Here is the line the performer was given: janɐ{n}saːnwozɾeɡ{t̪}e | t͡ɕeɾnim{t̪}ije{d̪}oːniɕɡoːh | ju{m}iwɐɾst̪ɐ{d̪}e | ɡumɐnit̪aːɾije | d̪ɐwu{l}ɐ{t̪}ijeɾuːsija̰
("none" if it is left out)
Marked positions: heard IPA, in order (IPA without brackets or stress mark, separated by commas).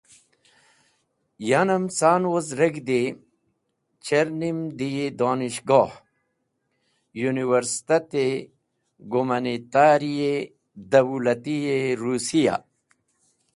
m, d̪, d̪, d̪, n, t̪, l, t̪